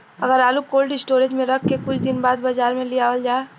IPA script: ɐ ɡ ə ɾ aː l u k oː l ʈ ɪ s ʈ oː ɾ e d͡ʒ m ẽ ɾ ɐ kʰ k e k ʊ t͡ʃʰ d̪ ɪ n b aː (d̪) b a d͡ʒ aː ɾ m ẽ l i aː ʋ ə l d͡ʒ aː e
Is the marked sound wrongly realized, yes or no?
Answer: no